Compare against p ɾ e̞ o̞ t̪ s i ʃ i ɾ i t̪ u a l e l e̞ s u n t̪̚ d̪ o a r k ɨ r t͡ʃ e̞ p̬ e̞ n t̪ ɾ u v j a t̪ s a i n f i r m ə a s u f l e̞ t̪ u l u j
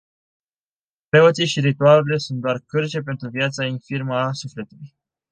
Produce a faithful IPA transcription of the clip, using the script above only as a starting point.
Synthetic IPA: p ɾ e̞ o̞ t̪ s i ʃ i ɾ i t̪ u a l e l e̞ s u n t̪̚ d̪ o a r k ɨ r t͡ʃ e̞ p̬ e̞ n t̪ ɾ u v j a t̪ s a i n f i r m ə a s u f l e̞ t̪ u l u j